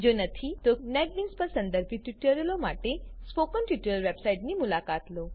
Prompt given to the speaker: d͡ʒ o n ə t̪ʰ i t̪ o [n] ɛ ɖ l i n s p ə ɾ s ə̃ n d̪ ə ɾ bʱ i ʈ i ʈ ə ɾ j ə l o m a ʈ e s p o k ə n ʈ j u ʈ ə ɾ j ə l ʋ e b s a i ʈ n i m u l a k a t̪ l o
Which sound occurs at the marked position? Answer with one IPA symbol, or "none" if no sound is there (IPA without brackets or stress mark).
n